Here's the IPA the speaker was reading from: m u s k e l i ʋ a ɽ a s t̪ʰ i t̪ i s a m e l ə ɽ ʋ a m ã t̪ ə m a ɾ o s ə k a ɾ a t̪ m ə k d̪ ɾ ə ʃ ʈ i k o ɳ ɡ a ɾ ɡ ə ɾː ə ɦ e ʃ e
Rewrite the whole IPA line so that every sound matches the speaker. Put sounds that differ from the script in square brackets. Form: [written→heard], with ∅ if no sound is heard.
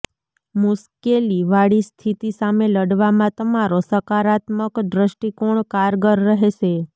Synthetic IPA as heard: m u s k e l i ʋ a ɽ [a→i] s t̪ʰ i t̪ i s a m e l ə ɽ ʋ a m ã t̪ ə m a ɾ o s ə k a ɾ a t̪ m ə k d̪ ɾ ə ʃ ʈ i k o ɳ [ɡ→k] a ɾ ɡ ə ɾː ə ɦ e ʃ e